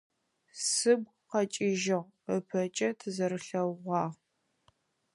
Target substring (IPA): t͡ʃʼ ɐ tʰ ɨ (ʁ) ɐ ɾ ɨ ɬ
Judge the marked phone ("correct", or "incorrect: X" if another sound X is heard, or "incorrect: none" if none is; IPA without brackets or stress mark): incorrect: z